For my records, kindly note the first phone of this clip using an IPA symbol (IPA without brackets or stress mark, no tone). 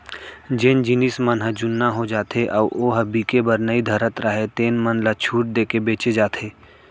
d͡ʒ